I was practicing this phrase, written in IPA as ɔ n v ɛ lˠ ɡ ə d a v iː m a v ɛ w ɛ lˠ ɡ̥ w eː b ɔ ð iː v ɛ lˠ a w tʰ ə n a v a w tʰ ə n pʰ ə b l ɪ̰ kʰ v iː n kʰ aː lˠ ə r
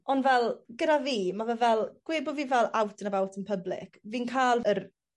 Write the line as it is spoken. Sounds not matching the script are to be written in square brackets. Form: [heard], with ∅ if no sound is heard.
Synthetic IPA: ɔ n v ɛ lˠ ɡ ə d a v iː m a v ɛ [v] ɛ lˠ ɡ̥ w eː b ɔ [v] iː v ɛ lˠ a w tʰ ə n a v a w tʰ ə n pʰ ə b l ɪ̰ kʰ v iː n kʰ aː lˠ ə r